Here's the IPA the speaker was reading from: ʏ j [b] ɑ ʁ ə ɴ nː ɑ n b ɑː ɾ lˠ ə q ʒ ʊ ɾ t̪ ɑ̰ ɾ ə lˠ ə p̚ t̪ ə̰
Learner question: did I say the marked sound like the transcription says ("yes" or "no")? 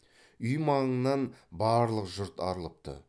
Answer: no